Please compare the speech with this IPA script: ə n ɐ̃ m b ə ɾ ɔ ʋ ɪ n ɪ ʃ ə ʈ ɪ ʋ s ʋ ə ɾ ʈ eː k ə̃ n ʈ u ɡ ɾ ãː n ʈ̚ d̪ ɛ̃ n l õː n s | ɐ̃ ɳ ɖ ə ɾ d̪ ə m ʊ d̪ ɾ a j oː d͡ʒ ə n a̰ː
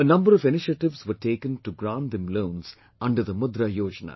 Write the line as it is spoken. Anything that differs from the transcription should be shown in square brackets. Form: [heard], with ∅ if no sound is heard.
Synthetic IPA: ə n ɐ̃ m b ə ɾ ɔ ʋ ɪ n ɪ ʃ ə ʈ ɪ ʋ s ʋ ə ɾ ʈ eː k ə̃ n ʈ u ɡ ɾ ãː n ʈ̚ d̪ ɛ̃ [m] l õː n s | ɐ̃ ɳ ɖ ə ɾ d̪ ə m ʊ d̪ ɾ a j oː d͡ʒ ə n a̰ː